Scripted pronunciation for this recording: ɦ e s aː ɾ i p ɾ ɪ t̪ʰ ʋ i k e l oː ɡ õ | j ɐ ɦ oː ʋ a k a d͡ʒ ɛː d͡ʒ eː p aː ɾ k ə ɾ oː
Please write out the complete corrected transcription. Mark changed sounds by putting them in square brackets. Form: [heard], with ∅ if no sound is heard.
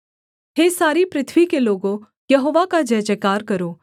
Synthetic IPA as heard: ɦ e s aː ɾ i p ɾ ɪ t̪ʰ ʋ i k e l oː ɡ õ | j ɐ ɦ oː ʋ a k a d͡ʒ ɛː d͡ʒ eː [k] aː ɾ k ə ɾ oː